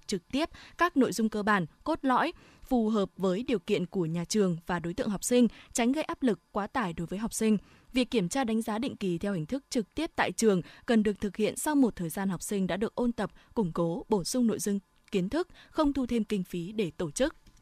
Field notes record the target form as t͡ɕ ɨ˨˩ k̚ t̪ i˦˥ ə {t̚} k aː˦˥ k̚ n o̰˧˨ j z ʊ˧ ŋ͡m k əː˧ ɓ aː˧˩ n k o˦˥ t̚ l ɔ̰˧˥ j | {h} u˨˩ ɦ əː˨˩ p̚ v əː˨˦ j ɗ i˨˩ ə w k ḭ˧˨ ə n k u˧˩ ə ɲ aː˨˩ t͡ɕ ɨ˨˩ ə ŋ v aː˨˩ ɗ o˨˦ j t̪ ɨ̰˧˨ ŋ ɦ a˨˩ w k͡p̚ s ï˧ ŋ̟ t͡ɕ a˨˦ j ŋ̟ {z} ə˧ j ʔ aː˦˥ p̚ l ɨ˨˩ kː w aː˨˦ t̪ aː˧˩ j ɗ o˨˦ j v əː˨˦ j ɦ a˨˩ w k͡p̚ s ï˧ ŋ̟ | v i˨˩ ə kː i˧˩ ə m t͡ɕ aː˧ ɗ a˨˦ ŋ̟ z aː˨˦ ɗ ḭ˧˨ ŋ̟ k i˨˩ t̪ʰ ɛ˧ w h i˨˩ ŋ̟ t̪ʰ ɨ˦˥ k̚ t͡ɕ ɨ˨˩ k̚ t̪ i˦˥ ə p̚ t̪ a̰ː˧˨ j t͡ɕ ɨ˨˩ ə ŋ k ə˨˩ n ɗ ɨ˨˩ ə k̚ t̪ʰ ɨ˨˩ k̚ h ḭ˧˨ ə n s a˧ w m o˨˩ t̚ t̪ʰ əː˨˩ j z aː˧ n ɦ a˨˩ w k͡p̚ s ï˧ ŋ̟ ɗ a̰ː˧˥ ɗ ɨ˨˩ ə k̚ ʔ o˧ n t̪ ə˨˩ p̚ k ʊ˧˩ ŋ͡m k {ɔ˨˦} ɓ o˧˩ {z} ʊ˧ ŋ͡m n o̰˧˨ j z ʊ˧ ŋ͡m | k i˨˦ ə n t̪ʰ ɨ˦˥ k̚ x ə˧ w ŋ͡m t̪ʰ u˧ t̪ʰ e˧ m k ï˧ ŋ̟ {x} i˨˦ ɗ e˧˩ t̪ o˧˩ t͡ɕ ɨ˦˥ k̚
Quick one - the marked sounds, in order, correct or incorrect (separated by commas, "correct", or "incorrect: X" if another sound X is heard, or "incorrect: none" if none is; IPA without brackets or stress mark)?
incorrect: p̚, incorrect: f, incorrect: ɣ, incorrect: o˨˦, incorrect: s, incorrect: f